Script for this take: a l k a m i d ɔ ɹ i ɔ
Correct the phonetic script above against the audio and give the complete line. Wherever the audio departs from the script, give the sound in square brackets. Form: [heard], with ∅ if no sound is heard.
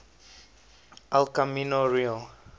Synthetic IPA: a l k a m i [n] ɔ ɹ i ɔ